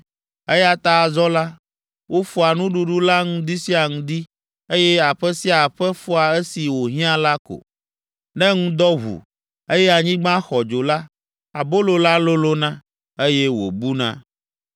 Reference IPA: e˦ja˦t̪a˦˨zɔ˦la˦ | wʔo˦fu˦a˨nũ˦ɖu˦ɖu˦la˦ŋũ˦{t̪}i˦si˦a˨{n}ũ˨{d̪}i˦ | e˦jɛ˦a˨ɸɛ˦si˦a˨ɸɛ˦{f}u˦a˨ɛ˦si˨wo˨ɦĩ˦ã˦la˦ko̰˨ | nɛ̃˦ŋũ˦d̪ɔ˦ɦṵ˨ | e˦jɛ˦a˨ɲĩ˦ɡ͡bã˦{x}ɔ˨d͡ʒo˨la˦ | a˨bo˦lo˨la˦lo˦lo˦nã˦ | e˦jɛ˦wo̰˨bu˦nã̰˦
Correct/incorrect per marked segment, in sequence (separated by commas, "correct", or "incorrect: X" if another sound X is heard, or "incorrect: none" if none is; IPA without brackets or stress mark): incorrect: d̪, incorrect: ŋ, correct, correct, correct